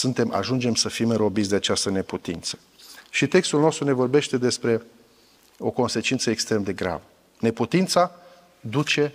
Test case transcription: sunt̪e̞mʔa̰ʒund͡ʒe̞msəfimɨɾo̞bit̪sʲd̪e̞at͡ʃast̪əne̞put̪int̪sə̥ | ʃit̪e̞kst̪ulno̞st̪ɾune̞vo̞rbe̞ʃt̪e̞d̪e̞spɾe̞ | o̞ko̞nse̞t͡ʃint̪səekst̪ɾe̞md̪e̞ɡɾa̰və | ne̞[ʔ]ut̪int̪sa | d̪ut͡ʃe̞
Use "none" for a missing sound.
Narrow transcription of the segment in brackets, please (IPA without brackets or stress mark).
p